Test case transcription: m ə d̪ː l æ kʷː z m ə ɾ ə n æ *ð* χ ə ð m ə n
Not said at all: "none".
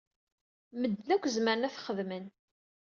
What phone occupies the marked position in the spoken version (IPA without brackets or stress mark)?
θ